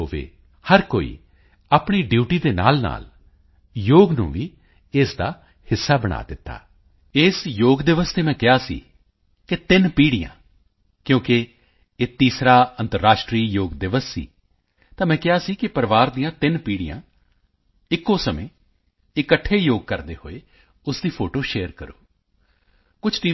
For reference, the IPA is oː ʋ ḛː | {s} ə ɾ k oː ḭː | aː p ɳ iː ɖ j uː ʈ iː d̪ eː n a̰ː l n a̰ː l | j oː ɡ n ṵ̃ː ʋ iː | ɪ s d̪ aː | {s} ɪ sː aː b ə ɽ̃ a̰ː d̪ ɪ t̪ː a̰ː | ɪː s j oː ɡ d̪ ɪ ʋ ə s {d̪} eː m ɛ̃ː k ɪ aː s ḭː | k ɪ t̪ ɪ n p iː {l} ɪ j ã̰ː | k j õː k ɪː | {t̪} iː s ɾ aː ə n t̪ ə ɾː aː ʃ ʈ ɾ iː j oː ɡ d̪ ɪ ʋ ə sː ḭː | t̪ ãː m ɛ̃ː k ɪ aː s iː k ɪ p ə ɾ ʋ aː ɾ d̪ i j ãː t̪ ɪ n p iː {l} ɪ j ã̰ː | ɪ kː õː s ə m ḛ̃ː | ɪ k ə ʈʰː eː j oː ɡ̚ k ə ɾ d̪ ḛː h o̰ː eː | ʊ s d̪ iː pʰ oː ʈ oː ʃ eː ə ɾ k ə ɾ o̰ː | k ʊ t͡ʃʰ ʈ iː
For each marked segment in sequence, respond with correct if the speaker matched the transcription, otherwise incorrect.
incorrect: h, incorrect: h, incorrect: t̪, incorrect: ɽ, correct, incorrect: ɽ

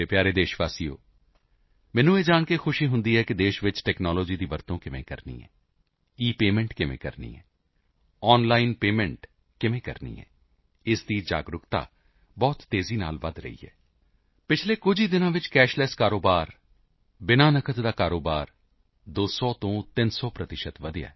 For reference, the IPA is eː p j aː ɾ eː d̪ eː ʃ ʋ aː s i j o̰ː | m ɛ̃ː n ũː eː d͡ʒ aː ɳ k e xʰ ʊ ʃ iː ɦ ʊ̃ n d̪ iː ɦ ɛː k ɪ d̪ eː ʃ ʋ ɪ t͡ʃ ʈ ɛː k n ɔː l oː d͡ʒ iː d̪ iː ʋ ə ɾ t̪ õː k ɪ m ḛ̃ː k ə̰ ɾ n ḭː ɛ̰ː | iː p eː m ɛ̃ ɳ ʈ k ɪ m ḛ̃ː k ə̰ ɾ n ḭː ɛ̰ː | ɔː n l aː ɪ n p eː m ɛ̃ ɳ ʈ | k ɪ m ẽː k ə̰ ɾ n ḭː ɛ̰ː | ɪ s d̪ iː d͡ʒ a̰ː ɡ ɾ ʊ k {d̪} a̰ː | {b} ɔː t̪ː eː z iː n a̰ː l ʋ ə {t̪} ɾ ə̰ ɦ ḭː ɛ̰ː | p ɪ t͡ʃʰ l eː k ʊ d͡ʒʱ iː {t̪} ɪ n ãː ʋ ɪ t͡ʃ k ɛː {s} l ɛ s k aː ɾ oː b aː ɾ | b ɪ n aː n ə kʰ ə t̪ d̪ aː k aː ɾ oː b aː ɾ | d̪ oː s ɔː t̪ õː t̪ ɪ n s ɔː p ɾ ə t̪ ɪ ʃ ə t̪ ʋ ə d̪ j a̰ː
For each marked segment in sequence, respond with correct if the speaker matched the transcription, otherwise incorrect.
incorrect: t̪, correct, incorrect: d̪, incorrect: d̪, incorrect: ʃ

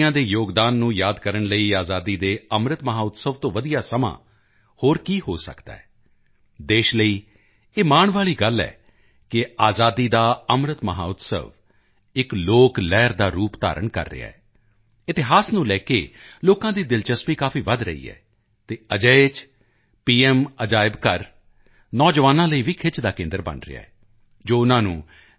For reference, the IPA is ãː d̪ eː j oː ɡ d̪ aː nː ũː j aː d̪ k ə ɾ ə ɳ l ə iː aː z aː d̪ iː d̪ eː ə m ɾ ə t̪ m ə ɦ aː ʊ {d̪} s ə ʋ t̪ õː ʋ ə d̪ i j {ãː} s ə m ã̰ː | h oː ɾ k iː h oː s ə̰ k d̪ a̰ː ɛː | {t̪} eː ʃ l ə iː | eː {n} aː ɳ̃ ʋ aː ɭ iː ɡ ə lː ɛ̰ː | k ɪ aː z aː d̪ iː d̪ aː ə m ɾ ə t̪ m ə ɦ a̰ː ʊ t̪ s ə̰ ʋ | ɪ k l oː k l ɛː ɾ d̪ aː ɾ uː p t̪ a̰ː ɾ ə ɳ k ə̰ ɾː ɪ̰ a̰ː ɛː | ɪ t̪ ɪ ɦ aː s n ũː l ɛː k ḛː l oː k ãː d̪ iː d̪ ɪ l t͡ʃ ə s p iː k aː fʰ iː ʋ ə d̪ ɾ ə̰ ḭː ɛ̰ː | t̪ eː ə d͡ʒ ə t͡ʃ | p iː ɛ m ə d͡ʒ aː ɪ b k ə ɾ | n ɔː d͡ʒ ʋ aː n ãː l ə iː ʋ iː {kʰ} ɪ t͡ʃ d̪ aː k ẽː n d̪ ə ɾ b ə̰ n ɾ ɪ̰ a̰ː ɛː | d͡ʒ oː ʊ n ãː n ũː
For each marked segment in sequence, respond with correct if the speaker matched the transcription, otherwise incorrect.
incorrect: t̪, incorrect: aː, incorrect: d̪, incorrect: m, correct

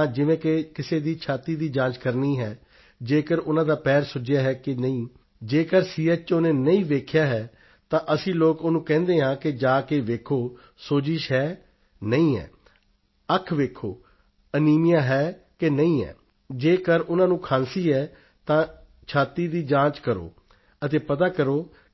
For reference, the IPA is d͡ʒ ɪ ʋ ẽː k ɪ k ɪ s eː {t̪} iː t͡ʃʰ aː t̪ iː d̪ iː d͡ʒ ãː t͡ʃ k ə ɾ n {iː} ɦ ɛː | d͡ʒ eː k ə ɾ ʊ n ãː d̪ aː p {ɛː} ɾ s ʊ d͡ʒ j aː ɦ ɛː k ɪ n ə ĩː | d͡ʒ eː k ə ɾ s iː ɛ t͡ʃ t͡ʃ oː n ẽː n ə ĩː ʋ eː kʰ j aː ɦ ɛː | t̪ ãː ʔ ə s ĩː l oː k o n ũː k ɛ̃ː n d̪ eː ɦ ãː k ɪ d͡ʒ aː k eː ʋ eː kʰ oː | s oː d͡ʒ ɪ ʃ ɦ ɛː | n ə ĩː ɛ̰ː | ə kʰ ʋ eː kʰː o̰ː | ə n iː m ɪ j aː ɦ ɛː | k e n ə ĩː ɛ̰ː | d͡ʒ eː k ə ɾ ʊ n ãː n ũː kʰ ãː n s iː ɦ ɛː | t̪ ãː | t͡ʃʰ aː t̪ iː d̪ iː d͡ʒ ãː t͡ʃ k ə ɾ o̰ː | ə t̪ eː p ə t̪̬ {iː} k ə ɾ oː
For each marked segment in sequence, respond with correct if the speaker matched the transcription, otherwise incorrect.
incorrect: d̪, correct, correct, incorrect: aː

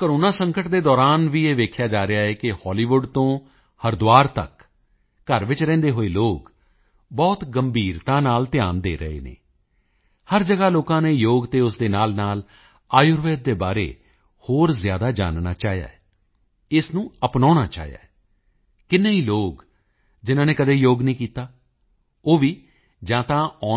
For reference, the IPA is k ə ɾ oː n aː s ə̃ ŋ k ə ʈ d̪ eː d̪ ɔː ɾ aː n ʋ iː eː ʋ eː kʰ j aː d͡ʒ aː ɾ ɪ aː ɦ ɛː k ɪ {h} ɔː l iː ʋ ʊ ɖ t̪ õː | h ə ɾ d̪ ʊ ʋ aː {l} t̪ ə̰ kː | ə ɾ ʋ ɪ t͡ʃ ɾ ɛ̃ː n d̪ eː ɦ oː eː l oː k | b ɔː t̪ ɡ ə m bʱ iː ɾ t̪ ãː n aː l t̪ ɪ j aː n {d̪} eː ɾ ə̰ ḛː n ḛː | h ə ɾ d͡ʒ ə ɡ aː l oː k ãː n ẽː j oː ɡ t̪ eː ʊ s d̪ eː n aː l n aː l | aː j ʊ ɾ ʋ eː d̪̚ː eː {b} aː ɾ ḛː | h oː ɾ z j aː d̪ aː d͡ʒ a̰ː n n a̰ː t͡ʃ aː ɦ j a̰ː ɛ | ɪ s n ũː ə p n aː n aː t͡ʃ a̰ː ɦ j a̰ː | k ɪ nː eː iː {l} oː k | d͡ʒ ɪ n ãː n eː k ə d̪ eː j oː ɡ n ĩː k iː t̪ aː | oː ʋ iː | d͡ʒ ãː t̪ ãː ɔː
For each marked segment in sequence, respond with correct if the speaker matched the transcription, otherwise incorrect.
correct, incorrect: ɾ, correct, correct, correct

